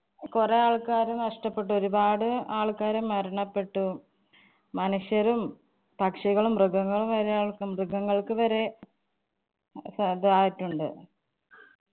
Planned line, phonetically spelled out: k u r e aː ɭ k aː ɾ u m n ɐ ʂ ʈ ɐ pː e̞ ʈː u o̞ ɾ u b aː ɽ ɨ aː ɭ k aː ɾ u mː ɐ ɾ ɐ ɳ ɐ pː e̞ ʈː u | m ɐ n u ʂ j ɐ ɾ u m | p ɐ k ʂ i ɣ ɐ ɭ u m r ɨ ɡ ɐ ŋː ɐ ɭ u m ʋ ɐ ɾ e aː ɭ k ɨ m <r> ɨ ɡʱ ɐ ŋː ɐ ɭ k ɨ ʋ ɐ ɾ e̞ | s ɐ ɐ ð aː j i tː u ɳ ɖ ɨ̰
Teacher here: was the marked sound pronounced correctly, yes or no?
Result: yes